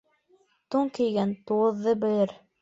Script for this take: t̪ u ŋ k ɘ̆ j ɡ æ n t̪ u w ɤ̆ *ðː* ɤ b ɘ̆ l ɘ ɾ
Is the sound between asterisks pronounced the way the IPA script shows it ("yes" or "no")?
yes